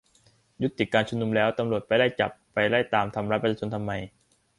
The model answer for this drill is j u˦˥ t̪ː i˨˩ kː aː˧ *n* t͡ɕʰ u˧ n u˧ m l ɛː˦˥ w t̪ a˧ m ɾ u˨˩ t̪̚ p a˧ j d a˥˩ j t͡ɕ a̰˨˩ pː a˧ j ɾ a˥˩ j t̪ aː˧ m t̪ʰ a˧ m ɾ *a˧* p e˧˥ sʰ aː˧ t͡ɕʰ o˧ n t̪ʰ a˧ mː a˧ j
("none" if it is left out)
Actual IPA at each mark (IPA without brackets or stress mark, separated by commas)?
n, a˦˥